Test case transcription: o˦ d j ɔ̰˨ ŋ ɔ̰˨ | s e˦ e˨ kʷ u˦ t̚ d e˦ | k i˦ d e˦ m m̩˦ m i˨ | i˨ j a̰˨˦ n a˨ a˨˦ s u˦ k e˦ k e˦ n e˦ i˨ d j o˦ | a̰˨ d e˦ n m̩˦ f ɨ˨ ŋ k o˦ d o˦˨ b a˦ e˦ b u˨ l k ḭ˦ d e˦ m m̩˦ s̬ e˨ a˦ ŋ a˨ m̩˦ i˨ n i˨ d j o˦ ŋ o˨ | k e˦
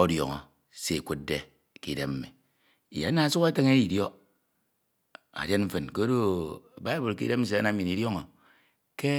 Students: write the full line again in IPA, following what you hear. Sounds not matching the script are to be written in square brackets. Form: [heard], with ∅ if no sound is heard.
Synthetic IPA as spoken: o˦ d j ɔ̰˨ ŋ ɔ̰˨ | s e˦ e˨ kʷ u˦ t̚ d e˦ | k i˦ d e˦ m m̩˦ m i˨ | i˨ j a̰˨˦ n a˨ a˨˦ s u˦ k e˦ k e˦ [ŋ] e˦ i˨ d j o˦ | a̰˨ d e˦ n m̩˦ f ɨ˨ [n] k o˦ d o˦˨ b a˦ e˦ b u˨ l k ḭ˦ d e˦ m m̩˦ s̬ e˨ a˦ [n] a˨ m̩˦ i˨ n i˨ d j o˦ ŋ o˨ | k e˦